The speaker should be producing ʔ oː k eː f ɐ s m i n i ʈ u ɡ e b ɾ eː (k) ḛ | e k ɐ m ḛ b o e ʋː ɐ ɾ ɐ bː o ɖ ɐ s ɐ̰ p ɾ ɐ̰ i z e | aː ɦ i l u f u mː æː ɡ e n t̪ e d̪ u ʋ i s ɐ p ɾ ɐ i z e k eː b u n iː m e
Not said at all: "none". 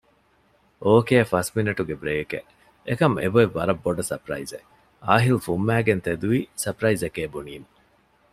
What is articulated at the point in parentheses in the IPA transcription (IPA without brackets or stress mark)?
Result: k